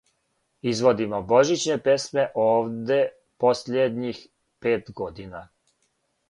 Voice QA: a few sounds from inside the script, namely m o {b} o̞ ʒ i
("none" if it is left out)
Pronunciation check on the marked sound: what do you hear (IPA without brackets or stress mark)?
b